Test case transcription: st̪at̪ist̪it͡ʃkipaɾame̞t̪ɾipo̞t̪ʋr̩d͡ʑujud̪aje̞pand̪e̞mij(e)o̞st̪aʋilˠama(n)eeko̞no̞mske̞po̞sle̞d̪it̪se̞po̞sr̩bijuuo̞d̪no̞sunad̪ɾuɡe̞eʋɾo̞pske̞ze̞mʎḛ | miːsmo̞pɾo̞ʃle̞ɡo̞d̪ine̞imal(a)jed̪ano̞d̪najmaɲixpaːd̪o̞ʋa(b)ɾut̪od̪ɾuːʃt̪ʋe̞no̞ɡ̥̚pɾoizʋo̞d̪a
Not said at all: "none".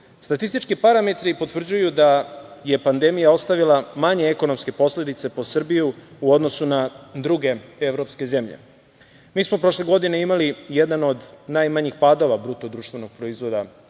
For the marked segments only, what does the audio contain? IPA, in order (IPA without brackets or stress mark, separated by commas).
a, ɲ, i, b